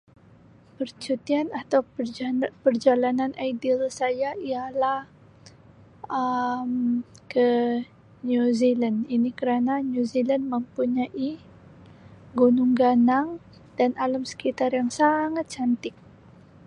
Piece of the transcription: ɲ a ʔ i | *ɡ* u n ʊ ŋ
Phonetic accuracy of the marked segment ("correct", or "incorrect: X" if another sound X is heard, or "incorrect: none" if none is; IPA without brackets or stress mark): correct